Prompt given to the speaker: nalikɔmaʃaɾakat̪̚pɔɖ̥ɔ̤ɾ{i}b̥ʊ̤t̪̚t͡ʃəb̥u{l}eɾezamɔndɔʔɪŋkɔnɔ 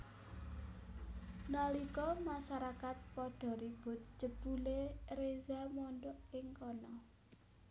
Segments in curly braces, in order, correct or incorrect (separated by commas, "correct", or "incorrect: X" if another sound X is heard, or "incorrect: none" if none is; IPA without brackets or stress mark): correct, correct